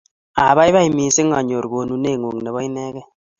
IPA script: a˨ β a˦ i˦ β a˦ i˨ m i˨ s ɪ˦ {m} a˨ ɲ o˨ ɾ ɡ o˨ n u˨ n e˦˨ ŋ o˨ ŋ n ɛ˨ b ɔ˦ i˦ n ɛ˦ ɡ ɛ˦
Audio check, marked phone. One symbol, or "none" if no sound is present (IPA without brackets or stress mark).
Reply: ŋ